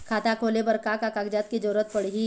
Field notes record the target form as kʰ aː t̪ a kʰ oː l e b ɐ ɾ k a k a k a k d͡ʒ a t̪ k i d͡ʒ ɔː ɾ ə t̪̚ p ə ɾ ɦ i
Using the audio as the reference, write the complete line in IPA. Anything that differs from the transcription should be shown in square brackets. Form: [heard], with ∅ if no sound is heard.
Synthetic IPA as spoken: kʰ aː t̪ a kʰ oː l e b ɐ ɾ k a k a k a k d͡ʒ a t̪ k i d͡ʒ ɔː ɾ ə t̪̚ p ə [ɽ] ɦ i